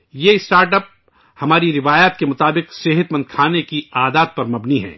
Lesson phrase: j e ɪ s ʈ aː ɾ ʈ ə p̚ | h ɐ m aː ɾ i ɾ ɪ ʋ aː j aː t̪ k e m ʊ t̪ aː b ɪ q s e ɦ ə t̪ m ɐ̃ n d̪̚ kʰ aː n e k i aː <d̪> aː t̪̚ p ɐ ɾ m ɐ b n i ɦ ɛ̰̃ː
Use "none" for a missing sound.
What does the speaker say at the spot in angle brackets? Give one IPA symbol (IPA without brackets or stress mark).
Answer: d̪